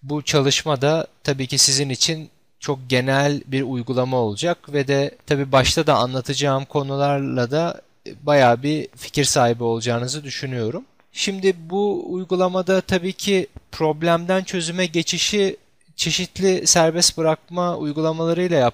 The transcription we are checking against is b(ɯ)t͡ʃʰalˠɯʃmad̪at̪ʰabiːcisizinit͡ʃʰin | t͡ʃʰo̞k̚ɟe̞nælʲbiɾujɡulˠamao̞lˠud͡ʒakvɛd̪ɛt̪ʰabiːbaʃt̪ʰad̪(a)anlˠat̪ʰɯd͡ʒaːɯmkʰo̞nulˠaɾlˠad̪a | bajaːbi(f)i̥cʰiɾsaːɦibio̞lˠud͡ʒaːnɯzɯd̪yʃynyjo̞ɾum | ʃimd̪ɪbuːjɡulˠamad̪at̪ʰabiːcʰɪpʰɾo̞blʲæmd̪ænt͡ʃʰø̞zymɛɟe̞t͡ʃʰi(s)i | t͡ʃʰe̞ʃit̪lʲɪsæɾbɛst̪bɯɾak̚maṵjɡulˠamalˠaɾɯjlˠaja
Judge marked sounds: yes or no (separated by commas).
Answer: no, yes, yes, no